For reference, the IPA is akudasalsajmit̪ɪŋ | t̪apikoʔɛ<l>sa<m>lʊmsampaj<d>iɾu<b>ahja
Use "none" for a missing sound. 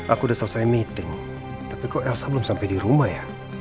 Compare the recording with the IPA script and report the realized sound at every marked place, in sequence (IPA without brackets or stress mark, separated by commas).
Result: l, b, d, m